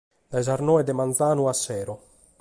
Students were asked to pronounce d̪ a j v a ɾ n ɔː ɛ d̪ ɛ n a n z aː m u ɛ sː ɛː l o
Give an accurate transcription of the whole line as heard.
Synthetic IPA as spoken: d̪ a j z a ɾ n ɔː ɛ d̪ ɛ m a n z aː n u a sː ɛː ɾ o